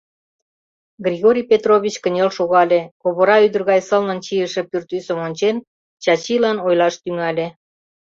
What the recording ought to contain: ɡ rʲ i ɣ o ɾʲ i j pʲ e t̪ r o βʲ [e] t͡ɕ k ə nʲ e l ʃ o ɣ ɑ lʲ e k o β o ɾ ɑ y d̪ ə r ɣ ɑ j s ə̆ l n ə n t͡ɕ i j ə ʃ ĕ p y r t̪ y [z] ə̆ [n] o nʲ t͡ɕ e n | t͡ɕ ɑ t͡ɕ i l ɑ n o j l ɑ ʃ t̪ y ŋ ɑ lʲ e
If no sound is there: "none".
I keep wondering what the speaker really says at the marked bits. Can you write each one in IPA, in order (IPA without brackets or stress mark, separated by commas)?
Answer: i, s, m